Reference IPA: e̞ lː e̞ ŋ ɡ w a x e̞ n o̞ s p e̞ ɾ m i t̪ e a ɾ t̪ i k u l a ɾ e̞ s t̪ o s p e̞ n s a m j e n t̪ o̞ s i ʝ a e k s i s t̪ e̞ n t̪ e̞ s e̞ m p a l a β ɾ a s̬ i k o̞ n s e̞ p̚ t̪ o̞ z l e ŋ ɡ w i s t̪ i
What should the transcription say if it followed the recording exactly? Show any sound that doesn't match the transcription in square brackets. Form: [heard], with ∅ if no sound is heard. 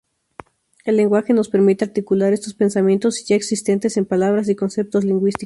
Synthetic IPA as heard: e̞ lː e̞ ŋ ɡ w a x e̞ n o̞ s p e̞ ɾ m i t̪ e a ɾ t̪ i k u l a ɾ e̞ s t̪ o s p e̞ n s a m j e n t̪ o̞ s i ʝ a e k s i s t̪ e̞ n t̪ e̞ s e̞ m p a l a β ɾ a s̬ i k o̞ n s e̞ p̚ t̪ o̞ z l [i] ŋ ɡ w i s t̪ i